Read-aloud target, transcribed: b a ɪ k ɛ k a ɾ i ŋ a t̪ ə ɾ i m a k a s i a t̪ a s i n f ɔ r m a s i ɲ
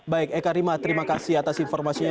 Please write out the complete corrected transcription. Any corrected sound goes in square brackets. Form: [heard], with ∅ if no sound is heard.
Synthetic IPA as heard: b a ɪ k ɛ k a ɾ i [m] a t̪ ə ɾ i m a k a s i a t̪ a s i n f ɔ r m a s i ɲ